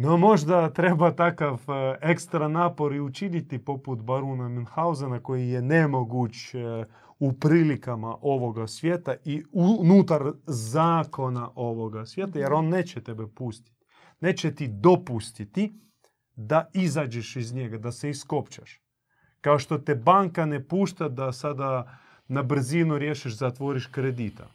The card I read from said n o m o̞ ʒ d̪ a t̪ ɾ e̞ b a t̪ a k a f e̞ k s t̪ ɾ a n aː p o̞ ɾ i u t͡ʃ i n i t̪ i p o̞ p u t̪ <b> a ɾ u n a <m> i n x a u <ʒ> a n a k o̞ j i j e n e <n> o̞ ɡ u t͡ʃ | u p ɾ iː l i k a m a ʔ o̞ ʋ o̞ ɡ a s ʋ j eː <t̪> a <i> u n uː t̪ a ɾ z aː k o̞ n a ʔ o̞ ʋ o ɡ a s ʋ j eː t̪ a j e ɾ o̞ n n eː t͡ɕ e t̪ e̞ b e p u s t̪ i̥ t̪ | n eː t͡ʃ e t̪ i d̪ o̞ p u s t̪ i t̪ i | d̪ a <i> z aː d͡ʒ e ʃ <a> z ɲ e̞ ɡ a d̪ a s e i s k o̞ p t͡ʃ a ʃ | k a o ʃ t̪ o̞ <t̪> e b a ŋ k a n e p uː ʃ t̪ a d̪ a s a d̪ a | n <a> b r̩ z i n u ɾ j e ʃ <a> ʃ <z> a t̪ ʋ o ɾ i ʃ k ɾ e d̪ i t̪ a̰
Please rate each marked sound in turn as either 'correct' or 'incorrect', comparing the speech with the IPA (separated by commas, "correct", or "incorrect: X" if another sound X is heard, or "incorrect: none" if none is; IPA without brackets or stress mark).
correct, correct, incorrect: z, incorrect: m, correct, correct, correct, incorrect: i, correct, correct, incorrect: i, correct